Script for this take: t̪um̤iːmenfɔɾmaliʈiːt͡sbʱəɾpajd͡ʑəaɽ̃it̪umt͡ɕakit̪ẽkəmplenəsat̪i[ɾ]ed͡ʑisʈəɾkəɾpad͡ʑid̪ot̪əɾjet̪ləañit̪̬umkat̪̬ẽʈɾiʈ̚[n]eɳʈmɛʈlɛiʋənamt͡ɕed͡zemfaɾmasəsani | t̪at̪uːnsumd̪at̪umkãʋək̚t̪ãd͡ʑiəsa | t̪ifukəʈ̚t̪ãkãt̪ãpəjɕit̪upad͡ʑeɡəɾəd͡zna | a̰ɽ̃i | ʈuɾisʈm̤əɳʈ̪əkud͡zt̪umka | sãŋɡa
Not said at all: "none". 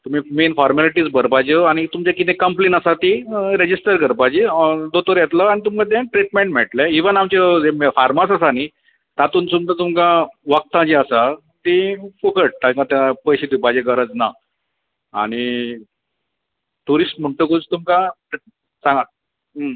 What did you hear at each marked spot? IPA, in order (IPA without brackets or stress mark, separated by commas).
ɾ, m